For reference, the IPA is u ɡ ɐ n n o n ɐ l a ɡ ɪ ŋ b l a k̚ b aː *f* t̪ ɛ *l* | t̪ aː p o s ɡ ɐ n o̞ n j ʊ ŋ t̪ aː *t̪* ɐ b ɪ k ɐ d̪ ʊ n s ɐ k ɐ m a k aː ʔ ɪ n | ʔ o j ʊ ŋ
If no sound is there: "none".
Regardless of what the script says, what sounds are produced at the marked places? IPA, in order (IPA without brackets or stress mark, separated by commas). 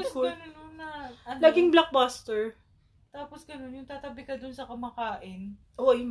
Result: s, ɹ, t̪